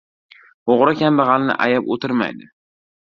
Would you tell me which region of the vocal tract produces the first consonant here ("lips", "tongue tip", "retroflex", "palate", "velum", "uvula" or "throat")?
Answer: uvula